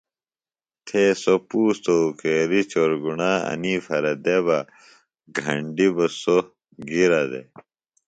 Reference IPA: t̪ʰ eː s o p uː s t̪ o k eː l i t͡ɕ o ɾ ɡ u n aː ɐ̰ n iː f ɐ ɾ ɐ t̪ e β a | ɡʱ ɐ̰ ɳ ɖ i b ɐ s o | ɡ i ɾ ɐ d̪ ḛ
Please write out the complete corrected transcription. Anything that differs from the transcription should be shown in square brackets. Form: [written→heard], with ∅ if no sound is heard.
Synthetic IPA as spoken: t̪ʰ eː s o p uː s t̪ o k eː [l→ɾ] i t͡ɕ o ɾ ɡ u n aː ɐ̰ n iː f ɐ ɾ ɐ [t̪→d̪] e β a | ɡʱ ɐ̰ ɳ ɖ i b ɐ s o | ɡ i ɾ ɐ d̪ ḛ